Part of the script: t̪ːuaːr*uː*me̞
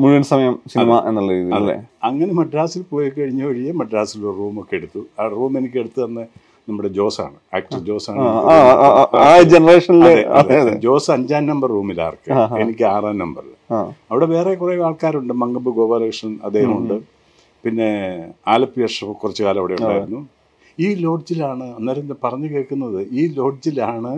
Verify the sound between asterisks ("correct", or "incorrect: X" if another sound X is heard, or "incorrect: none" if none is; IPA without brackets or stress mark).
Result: correct